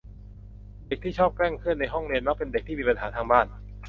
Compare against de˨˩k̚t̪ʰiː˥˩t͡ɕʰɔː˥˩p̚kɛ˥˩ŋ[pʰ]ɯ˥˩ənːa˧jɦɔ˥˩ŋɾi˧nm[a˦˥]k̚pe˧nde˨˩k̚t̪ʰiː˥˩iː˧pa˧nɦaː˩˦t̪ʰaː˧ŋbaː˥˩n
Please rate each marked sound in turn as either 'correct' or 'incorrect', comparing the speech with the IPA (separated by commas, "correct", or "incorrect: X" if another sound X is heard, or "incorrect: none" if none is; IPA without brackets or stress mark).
incorrect: kʰ, correct